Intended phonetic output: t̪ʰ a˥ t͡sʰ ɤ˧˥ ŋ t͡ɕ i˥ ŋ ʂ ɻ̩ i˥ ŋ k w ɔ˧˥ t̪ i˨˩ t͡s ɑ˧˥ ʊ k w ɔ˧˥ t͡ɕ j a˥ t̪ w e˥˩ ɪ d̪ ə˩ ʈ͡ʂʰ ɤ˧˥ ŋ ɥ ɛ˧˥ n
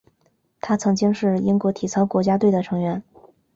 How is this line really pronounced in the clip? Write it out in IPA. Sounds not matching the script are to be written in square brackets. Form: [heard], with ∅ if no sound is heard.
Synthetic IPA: t̪ʰ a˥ t͡sʰ ɤ˧˥ ŋ t͡ɕ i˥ ŋ ʂ ɻ̩ i˥ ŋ k w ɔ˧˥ [t̪ʰ] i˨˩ [t͡sʰ] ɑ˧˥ ʊ k w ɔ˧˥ t͡ɕ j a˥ t̪ w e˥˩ ɪ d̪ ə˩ ʈ͡ʂʰ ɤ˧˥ ŋ ɥ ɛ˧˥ n